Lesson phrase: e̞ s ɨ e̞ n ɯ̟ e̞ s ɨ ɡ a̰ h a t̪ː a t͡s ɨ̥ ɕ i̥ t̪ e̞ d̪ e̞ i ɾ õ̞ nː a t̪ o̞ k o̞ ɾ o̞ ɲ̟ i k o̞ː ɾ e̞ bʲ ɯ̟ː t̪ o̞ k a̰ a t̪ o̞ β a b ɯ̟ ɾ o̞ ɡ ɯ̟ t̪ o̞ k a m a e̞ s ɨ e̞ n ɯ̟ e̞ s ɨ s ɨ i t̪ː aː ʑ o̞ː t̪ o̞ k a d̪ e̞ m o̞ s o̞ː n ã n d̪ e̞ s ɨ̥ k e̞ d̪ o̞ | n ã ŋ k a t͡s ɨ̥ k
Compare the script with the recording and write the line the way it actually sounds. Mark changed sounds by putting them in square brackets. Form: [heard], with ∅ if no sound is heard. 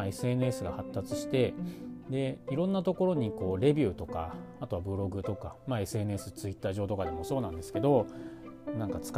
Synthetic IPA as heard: e̞ s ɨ e̞ n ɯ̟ e̞ s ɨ ɡ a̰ h a t̪ː a t͡s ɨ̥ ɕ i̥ t̪ e̞ d̪ e̞ i ɾ õ̞ nː a t̪ o̞ k o̞ ɾ o̞ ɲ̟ i k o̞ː ɾ e̞ bʲ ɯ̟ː t̪ o̞ k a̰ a t̪ o̞ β a b ɯ̟ ɾ o̞ ɡ ɯ̟ t̪ o̞ k a m a e̞ s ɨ e̞ n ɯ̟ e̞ s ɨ [t͡s] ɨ i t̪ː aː ʑ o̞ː t̪ o̞ k a d̪ e̞ m o̞ s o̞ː n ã n d̪ e̞ s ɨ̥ k e̞ d̪ o̞ | n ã ŋ k a t͡s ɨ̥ k